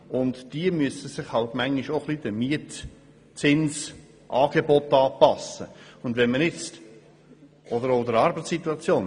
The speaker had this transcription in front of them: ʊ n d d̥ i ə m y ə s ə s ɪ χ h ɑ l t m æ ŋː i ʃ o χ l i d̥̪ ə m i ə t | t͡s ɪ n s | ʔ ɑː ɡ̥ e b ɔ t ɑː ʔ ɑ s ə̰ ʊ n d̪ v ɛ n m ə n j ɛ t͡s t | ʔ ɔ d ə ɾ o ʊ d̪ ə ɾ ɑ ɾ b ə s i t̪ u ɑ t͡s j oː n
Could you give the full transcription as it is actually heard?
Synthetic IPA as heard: ʊ n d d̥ i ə m y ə s ə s ɪ χ h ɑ l t m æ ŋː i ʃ o χ l i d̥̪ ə m i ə t | t͡s ɪ n s | ʔ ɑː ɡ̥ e b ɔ t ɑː p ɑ s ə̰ ʊ n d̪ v ɛ n m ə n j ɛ t͡s t | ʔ ɔ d ə ɾ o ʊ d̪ ə ɾ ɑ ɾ b ə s i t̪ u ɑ t͡s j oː n